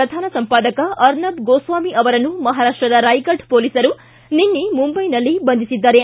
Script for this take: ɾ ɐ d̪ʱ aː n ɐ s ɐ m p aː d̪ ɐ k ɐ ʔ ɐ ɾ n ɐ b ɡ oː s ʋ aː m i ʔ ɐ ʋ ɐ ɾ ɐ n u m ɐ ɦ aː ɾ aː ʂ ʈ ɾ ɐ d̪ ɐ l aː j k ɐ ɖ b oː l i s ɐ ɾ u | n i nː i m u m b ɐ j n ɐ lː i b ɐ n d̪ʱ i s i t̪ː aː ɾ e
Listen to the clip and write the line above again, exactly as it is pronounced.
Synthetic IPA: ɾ ɐ d̪ʱ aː n ɐ s ɐ m p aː d̪ ɐ k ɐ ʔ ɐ ɾ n ɐ b ɡ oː s ʋ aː m i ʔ ɐ ʋ ɐ ɾ ɐ n u m ɐ ɦ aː ɾ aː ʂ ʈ ɾ ɐ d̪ ɐ ɾ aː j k ɐ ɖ p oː l i s ɐ ɾ u | n i nː i m u m b ɐ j n ɐ lː i b ɐ n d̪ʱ i s i d̪ː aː ɾ e